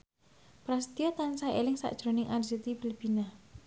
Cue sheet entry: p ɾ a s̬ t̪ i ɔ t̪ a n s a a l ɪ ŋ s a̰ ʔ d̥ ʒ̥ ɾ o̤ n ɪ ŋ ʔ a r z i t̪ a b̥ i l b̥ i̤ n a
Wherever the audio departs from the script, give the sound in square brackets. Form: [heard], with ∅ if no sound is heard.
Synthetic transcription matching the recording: p ɾ a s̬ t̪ i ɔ t̪ a n s a [e] l ɪ ŋ s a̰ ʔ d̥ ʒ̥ ɾ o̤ n ɪ ŋ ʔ a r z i t̪ [i] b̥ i l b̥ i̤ n a